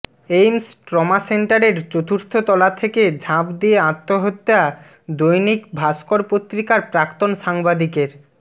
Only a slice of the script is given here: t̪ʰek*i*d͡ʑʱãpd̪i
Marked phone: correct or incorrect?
incorrect